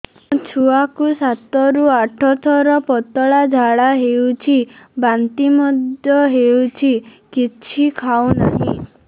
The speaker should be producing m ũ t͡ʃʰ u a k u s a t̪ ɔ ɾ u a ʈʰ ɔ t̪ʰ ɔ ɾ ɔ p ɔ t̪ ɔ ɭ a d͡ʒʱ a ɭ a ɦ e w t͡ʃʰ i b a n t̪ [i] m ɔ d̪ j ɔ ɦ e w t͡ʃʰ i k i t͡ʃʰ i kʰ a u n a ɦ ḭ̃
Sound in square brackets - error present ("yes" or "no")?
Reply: no